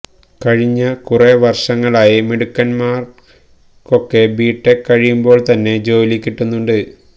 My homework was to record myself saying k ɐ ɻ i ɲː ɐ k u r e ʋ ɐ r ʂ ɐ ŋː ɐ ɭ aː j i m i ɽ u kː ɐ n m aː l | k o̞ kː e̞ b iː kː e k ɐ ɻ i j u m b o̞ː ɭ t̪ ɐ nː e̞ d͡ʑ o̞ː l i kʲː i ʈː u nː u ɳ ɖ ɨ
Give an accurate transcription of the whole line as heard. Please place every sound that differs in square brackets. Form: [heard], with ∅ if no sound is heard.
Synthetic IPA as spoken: k ɐ ɻ i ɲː ɐ k u r e ʋ ɐ r ʂ ɐ ŋː ɐ ɭ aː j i m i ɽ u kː ɐ n m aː [r] | k o̞ kː e̞ b iː [ʈː] e k ɐ ɻ i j u m b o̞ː ɭ t̪ ɐ nː e̞ d͡ʑ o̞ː l i kʲː i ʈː u nː u ɳ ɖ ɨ